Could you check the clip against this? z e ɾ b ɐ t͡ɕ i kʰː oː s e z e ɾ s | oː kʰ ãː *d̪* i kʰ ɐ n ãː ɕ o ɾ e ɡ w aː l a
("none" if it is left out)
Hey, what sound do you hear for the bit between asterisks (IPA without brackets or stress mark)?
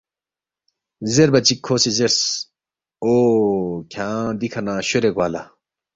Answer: d̪